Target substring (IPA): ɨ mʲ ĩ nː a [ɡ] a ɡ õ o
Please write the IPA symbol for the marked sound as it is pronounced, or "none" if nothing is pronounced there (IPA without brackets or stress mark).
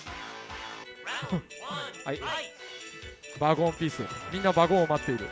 b